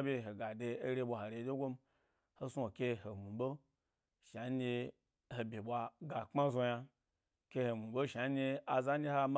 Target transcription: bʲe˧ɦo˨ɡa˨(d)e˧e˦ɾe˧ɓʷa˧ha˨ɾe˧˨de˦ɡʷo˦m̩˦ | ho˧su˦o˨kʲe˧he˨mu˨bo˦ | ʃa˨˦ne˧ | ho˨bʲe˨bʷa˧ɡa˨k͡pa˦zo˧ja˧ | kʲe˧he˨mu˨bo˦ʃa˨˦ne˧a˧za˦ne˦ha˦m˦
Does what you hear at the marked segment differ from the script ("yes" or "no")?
no